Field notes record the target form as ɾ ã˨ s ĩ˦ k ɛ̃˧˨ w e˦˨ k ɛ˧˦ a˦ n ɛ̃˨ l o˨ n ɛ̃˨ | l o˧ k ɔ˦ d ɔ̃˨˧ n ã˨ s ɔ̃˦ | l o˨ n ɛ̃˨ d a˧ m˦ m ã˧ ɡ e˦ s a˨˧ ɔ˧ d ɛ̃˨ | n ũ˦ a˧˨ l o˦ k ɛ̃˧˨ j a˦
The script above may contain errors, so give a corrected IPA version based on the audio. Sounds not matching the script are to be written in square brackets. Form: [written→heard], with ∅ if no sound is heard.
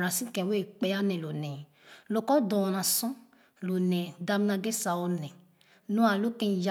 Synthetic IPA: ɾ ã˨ s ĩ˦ k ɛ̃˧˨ w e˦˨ [k→k͡p] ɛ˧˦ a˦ n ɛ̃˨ l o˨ n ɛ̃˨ | l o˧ k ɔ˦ d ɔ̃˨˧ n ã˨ s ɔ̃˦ | l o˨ n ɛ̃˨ d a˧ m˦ [m→n] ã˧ ɡ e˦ s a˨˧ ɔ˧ [d→n] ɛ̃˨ | n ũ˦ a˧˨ l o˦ k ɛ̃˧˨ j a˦